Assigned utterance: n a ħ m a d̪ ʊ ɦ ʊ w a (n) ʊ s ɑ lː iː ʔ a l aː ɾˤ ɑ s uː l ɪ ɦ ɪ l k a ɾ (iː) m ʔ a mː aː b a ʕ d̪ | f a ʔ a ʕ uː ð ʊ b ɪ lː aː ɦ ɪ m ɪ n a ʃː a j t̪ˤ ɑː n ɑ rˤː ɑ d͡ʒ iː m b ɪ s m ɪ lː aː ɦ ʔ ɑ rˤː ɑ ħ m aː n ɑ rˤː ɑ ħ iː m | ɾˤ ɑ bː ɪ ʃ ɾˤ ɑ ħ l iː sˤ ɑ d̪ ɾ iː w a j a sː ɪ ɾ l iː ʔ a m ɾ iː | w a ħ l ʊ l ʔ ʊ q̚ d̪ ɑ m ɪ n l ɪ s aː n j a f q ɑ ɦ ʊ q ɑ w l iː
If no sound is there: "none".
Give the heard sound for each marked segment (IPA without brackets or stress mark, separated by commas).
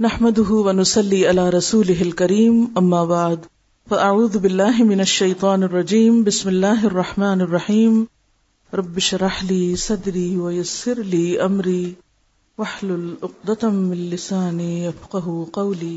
n, iː